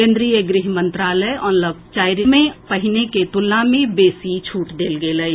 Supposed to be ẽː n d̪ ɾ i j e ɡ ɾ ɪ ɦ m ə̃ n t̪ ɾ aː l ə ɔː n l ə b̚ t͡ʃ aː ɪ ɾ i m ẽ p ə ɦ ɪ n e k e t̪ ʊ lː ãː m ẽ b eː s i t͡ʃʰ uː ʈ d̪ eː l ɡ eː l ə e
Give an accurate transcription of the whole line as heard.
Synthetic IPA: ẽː n d̪ ɾ i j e ɡ ɾ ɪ ɦ m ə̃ n t̪ ɾ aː l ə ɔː n l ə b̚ t͡ʃ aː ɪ ɾ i m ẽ p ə ɦ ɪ n e k e t̪ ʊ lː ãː m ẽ b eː s i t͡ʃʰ uː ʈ d̪ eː l ɡ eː l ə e